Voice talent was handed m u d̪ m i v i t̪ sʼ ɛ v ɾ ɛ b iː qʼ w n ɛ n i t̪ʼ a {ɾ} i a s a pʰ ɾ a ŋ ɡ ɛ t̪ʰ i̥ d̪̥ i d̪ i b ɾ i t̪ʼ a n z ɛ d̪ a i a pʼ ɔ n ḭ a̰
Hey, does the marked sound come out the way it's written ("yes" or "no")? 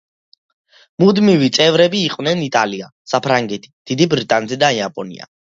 no